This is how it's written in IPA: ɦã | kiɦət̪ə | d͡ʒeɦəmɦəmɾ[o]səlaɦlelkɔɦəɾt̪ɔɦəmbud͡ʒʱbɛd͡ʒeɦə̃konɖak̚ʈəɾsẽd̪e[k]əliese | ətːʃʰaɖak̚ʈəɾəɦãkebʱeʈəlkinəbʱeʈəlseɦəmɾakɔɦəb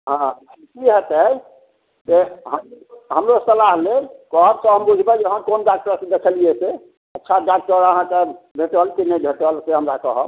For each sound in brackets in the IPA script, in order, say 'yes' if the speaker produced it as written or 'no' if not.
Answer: yes, no

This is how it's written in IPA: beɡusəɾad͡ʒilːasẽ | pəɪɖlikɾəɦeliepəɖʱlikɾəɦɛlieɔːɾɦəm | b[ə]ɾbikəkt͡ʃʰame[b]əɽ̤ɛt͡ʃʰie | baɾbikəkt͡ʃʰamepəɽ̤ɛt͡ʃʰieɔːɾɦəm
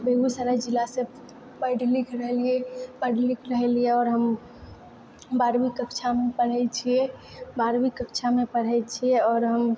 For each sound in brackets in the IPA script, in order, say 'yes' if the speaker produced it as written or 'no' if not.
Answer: no, no

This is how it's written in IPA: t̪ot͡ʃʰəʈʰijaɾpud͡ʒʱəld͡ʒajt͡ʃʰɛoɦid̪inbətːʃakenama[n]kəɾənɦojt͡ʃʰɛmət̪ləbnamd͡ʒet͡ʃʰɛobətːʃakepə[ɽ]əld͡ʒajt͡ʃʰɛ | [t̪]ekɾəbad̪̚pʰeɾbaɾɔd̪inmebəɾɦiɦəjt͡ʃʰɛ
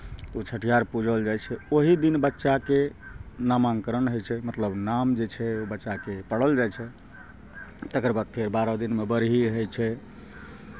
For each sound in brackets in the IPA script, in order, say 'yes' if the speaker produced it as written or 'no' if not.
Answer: no, yes, yes

